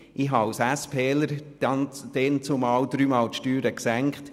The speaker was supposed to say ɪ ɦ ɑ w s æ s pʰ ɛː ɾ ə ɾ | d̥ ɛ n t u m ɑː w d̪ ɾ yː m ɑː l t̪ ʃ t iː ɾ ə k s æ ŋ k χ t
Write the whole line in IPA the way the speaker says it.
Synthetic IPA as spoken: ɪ ɦ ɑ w s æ s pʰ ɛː l ə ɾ | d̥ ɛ n t͡s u m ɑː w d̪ ɾ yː m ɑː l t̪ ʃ t yː ɾ ə k s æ ŋ k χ t